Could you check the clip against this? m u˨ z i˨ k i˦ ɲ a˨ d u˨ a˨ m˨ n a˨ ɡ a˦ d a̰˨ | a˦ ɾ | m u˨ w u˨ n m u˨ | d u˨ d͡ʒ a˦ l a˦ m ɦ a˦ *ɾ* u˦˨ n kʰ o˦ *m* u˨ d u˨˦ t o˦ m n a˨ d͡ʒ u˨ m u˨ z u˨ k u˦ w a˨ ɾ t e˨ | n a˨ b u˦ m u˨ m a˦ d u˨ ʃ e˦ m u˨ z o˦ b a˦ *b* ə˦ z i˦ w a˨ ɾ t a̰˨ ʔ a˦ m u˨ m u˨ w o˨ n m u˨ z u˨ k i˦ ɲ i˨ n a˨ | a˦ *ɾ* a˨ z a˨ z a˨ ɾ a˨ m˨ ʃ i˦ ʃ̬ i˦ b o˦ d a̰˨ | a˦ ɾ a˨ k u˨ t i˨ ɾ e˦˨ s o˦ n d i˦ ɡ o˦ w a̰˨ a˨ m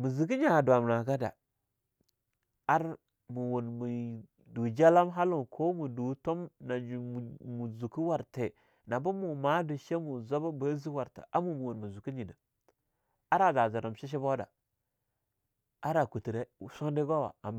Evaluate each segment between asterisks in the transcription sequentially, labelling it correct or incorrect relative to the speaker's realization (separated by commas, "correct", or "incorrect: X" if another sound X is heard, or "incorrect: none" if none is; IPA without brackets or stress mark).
incorrect: l, correct, correct, correct